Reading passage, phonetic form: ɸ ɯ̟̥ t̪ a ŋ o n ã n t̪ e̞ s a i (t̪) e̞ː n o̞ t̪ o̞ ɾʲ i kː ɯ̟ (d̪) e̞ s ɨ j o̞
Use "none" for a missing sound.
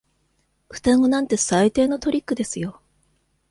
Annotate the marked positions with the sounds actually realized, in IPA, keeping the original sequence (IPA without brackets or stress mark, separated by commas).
t̪, d̪